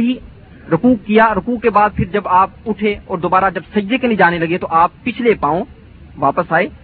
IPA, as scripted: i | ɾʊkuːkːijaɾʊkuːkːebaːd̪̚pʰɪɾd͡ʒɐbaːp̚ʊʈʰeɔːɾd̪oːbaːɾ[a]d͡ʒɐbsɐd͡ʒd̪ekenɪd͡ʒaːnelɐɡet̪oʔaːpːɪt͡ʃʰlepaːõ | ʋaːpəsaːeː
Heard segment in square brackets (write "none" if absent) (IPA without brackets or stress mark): a